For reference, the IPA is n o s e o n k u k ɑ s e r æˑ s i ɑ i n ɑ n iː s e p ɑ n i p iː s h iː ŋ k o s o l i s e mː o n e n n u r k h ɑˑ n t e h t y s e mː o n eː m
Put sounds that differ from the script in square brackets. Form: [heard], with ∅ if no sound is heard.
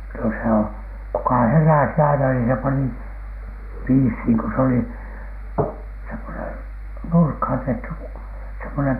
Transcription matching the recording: n o s e o [∅] k u k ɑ [h] e r æˑ s i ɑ i n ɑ n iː s e p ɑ n i p iː s h iː ŋ k o s o l i s e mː o n e n n u r k h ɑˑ n t e h t y s e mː o n [e] m